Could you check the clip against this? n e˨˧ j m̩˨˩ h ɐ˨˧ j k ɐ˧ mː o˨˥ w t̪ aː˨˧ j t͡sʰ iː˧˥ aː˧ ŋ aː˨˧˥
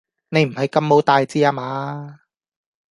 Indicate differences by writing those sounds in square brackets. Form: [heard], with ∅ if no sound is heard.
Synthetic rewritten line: n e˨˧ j m̩˨˩ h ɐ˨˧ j k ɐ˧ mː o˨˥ w t̪ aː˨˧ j [t͡s] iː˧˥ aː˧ [m] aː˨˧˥